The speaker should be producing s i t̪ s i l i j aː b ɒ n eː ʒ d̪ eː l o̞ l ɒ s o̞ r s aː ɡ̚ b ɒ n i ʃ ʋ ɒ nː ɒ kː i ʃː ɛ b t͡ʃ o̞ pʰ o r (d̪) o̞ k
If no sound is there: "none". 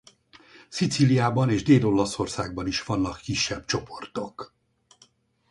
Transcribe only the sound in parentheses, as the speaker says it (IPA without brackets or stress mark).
t̪